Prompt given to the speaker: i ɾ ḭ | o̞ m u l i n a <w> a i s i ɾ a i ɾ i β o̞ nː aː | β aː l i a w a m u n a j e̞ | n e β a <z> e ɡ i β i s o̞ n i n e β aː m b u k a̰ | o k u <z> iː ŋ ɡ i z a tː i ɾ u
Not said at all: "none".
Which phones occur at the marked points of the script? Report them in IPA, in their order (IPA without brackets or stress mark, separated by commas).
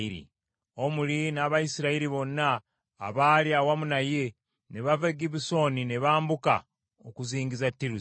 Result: β, v, z